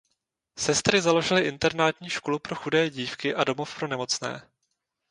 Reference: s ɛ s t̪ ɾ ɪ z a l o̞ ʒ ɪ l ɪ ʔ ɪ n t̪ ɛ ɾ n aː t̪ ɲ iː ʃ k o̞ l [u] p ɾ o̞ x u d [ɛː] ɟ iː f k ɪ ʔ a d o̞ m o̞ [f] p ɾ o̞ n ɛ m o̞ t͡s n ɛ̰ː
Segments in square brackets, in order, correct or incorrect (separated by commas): correct, correct, correct